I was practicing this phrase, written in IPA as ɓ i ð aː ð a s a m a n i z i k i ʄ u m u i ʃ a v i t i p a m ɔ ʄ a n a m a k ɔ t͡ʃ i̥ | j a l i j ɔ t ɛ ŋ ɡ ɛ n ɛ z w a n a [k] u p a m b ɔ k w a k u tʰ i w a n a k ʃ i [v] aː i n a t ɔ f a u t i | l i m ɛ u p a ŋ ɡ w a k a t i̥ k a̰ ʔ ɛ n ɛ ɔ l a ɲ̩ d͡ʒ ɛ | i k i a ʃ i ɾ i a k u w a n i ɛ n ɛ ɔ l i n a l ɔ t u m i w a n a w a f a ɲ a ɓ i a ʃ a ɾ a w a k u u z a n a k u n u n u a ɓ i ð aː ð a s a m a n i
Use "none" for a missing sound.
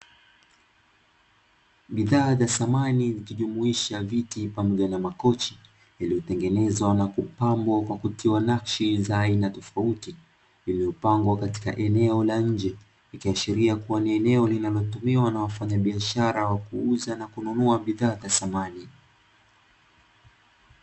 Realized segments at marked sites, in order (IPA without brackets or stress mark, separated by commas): k, z